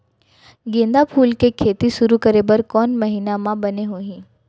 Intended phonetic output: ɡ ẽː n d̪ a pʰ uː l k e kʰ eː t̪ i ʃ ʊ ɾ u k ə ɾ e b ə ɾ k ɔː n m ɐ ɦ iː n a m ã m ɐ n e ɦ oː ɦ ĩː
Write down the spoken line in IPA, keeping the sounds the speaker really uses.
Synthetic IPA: ɡ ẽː n d̪ a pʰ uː l k e kʰ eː t̪ i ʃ ʊ ɾ u k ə ɾ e b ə ɾ k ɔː n m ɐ ɦ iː n a m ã b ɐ n e ɦ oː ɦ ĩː